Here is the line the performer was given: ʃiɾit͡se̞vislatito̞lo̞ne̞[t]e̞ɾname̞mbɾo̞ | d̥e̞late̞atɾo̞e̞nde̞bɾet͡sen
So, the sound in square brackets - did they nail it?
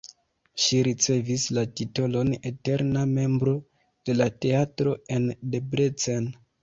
yes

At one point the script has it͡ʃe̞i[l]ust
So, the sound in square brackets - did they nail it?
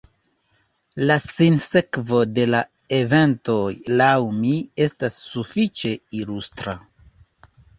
yes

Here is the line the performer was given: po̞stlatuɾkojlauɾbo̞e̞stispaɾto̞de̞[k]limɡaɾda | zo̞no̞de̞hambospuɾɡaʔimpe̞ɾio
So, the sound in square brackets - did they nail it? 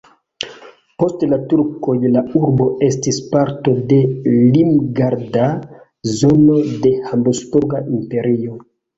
no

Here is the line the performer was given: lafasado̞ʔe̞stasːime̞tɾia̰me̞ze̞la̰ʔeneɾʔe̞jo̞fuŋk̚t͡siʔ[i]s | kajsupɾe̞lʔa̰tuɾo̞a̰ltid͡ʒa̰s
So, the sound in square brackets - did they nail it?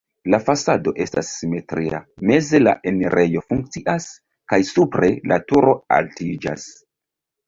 no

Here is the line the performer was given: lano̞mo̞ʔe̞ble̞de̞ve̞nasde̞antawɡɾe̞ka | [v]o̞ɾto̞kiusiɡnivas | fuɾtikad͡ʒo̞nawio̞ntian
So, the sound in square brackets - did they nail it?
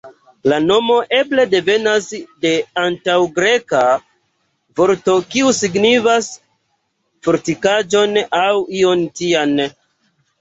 yes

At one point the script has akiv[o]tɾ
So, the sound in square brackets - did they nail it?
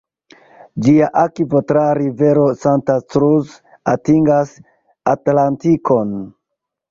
yes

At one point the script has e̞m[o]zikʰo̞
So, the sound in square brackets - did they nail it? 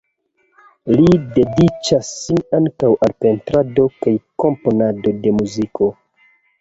no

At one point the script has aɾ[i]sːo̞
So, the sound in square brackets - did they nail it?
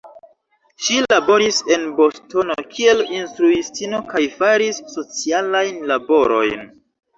yes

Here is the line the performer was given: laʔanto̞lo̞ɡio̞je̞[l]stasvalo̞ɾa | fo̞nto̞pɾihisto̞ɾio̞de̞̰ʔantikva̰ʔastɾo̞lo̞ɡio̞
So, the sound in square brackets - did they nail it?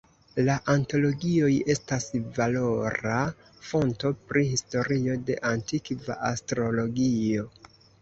no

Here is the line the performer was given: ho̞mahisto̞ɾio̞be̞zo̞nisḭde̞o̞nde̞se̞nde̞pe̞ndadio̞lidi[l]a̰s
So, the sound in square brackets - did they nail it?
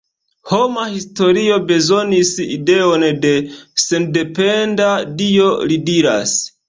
no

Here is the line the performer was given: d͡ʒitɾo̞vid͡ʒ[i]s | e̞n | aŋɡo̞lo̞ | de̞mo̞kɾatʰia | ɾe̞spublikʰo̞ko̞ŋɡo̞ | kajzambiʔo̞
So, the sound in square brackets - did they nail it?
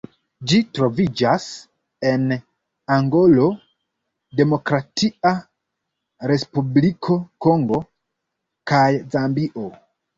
no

